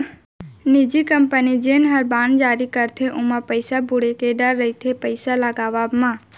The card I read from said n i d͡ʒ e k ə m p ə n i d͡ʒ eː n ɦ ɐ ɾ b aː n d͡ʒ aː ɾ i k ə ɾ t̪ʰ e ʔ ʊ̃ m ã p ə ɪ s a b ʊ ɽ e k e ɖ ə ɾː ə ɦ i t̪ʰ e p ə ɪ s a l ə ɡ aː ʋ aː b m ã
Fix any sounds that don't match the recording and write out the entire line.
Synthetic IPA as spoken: n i d͡ʒ i k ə m p ə n i d͡ʒ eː n ɦ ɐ ɾ b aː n d͡ʒ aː ɾ i k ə ɾ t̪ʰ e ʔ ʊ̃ m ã p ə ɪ s a b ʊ ɽ e k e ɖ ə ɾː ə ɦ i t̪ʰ e p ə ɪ s a l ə ɡ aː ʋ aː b m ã